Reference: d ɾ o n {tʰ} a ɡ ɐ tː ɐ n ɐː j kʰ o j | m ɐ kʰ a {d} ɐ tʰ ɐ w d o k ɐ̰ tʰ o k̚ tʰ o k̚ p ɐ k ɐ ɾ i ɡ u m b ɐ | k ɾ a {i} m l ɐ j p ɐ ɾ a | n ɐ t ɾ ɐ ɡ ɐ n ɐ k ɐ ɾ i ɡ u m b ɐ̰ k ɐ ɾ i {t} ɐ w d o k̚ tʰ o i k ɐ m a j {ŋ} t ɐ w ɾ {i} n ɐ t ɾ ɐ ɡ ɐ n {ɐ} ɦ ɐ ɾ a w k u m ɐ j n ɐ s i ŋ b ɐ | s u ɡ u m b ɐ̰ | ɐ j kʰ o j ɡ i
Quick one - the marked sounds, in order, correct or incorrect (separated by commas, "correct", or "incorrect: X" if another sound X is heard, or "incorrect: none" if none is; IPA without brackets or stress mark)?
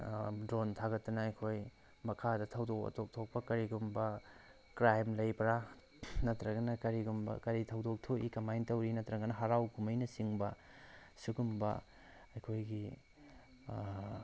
correct, correct, incorrect: j, incorrect: tʰ, incorrect: n, correct, correct